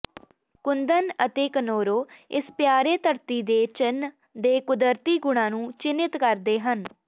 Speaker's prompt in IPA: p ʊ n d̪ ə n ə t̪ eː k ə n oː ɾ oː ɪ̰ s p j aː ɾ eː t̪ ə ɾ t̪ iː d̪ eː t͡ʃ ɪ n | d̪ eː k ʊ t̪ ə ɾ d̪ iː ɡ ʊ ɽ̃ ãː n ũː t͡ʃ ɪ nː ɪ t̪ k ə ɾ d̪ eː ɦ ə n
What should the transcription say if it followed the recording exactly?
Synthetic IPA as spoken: k ʊ n d̪ ə n ə t̪ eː k ə n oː ɾ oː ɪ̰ s p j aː ɾ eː t̪ ə ɾ t̪ iː d̪ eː t͡ʃ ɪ n | d̪ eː k ʊ d̪ ə ɾ t̪ iː ɡ ʊ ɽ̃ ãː n ũː t͡ʃ ɪ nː ɪ t̪ k ə ɾ d̪ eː ɦ ə n